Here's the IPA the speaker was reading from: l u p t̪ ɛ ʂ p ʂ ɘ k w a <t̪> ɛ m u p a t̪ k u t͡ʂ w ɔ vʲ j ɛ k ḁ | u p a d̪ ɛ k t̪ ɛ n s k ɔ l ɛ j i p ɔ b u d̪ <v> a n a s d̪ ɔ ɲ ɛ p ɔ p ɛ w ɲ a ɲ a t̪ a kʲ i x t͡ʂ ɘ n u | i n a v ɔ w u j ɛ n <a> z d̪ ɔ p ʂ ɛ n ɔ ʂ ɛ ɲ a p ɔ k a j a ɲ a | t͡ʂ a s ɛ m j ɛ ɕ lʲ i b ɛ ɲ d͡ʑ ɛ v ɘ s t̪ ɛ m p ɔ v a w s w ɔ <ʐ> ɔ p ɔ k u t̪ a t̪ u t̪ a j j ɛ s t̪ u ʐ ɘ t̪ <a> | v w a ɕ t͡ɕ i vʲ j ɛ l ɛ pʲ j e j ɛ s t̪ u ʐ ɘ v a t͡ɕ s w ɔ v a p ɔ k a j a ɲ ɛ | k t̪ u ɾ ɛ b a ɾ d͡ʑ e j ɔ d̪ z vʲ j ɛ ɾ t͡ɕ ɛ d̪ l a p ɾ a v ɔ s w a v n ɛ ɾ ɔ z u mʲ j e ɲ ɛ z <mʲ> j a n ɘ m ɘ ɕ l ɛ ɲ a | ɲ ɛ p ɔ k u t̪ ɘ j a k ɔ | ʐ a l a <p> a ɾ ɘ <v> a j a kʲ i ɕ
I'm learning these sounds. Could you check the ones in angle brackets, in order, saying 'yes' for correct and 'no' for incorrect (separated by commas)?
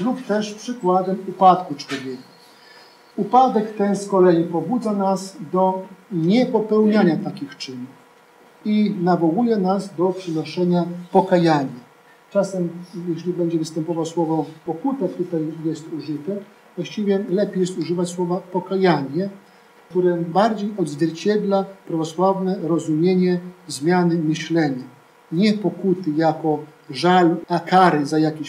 no, no, yes, no, no, yes, no, no